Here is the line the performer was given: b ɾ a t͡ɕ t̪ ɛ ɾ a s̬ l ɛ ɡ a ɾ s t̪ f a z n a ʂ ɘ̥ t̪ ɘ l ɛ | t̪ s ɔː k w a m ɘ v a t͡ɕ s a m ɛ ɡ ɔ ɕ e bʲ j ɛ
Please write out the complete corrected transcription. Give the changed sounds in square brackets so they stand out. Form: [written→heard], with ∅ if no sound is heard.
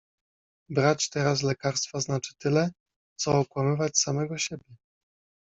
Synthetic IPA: b ɾ a t͡ɕ t̪ ɛ ɾ a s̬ l ɛ [ɡ→k] a ɾ s t̪ f a z n a [ʂ→t͡ʂ] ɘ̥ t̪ ɘ l ɛ | t̪ s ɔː k w a m ɘ v a t͡ɕ s a m ɛ ɡ ɔ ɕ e bʲ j ɛ

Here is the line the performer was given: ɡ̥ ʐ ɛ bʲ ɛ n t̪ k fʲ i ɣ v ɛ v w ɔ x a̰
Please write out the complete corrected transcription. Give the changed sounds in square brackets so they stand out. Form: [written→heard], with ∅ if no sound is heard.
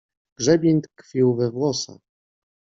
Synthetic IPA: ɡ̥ ʐ ɛ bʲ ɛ n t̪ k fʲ i [ɣ→w] v ɛ v w ɔ [x→s] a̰

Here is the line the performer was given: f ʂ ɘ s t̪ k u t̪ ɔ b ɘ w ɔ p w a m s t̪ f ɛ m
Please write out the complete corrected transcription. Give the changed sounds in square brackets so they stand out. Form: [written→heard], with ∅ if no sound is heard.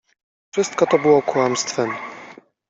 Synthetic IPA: f ʂ ɘ s t̪ k [u→ɔ] t̪ ɔ b ɘ w ɔ [p→k] w a m s t̪ f ɛ m

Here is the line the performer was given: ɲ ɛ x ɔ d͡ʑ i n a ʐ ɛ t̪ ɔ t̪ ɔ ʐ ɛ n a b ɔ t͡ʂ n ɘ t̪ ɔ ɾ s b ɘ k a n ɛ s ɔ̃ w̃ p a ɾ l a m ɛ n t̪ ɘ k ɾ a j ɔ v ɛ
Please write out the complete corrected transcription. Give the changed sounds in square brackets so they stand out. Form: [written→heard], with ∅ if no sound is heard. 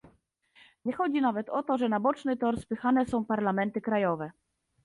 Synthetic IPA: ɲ ɛ x ɔ d͡ʑ i n a [ʐ→v] ɛ t̪ ɔ t̪ ɔ ʐ ɛ n a b ɔ t͡ʂ n ɘ t̪ ɔ ɾ s [b→p] ɘ [k→x] a n ɛ s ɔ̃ w̃ p a ɾ l a m ɛ n t̪ ɘ k ɾ a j ɔ v ɛ

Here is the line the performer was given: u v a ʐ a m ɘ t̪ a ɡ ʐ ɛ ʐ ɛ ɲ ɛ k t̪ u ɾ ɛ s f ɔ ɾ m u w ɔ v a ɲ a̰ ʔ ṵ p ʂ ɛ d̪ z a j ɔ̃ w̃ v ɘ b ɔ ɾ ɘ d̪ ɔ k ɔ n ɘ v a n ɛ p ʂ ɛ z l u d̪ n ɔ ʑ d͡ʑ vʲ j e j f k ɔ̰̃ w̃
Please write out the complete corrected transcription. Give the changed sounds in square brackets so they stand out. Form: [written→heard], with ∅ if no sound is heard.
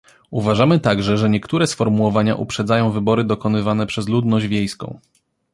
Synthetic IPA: u v a ʐ a m ɘ t̪ a ɡ ʐ ɛ ʐ ɛ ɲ ɛ k t̪ u ɾ ɛ s f ɔ ɾ m u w ɔ v a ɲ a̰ ʔ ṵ p ʂ ɛ d̪ z a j ɔ̃ w̃ v ɘ b ɔ ɾ ɘ d̪ ɔ k ɔ n ɘ v a n ɛ p ʂ ɛ z l u d̪ n ɔ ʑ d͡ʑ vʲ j e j [f→s] k ɔ̰̃ w̃

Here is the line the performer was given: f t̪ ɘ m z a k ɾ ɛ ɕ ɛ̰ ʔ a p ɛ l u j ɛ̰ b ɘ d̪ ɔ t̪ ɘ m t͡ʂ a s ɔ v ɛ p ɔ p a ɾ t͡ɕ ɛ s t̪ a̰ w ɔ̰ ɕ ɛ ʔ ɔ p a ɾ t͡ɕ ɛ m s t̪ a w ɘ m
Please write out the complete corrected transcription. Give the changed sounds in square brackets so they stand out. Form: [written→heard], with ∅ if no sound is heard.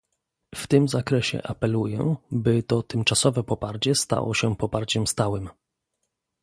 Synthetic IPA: f t̪ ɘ m z a k ɾ ɛ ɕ ɛ̰ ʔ a p ɛ l u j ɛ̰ b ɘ [d̪→t̪] ɔ t̪ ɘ m t͡ʂ a s ɔ v ɛ p ɔ p a ɾ t͡ɕ ɛ s t̪ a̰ w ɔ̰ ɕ ɛ [ʔ→p] ɔ p a ɾ t͡ɕ ɛ m s t̪ a w ɘ m

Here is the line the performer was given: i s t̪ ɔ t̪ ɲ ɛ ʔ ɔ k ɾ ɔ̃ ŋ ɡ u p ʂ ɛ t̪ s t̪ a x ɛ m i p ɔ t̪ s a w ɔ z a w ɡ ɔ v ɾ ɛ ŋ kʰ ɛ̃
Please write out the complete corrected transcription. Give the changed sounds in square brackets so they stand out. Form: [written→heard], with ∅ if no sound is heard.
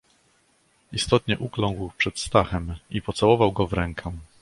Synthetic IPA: i s t̪ ɔ t̪ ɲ ɛ ʔ [ɔ→u] k [ɾ→l] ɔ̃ ŋ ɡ [u→w] p ʂ ɛ t̪ s t̪ a x ɛ m i p ɔ t̪ s a w ɔ [z→v] a w ɡ ɔ v ɾ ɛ ŋ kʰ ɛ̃

